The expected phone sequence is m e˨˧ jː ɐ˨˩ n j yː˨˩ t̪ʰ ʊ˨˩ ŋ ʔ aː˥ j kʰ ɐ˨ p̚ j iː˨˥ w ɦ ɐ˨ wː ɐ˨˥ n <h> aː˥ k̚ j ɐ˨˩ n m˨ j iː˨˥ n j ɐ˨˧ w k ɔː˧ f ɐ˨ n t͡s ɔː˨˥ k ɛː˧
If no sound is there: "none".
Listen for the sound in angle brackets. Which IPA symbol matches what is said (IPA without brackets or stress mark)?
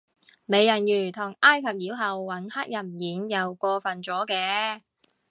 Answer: h